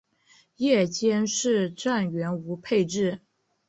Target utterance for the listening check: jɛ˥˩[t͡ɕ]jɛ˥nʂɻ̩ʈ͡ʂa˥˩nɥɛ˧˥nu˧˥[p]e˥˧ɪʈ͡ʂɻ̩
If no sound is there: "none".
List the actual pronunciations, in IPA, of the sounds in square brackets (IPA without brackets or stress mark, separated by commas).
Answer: t͡ɕ, pʰ